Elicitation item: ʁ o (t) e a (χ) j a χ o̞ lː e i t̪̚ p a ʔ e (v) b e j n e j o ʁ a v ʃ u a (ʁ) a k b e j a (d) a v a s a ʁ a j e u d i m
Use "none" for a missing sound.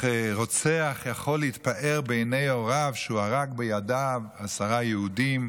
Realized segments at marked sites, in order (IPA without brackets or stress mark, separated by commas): t͡s, χ, ʁ, ʁ, d